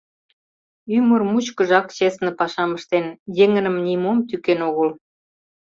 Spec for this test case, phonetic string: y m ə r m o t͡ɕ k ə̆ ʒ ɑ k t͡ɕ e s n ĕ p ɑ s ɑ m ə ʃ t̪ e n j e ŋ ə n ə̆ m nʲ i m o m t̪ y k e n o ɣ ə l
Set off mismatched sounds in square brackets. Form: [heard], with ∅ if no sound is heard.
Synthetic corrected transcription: y m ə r m [u] t͡ɕ k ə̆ ʒ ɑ k t͡ɕ e s n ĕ p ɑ [ʃ] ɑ m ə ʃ t̪ e n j e ŋ ə n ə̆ m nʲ i m o m t̪ y k e n o ɣ ə l